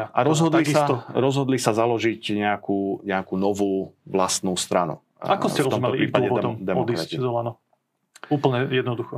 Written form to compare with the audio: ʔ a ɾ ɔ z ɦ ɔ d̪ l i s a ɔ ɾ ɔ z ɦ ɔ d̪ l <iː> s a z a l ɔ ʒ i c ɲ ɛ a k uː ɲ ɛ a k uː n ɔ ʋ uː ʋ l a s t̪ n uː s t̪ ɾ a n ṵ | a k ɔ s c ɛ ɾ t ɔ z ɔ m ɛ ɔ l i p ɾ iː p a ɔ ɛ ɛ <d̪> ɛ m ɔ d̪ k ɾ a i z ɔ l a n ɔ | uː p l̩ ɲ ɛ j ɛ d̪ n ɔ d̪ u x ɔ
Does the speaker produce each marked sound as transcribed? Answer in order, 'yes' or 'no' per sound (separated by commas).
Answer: no, yes